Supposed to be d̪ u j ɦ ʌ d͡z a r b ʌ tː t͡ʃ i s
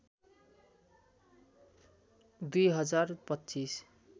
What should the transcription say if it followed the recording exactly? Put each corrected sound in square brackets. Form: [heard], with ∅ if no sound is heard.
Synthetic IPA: d̪ u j ɦ ʌ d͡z a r [p] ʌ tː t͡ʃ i s

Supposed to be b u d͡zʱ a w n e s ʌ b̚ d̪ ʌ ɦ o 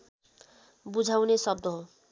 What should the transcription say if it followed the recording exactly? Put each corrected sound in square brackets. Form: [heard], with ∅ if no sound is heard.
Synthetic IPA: b u d͡zʱ a w n e s ʌ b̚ d̪ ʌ ɦ o

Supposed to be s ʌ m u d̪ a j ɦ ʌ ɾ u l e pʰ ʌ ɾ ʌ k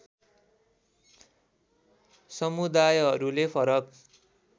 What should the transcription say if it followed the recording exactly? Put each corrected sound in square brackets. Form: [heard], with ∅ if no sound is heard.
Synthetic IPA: s ʌ m u d̪ a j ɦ ʌ ɾ u l e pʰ ʌ ɾ ʌ k

